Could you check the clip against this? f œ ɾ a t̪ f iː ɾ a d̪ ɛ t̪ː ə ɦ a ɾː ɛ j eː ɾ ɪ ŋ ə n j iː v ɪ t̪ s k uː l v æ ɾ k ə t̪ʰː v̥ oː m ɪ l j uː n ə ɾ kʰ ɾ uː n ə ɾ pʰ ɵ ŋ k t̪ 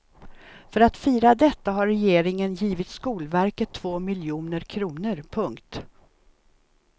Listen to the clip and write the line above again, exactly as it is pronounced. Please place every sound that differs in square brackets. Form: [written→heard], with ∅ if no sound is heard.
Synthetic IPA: f œ ɾ a t̪ f iː ɾ a d̪ ɛ t̪ː [ə→a] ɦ a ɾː ɛ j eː ɾ ɪ ŋ ə n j iː v ɪ t̪ s k uː l v æ ɾ k ə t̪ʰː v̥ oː m ɪ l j uː n ə ɾ kʰ ɾ uː n ə ɾ pʰ ɵ ŋ k t̪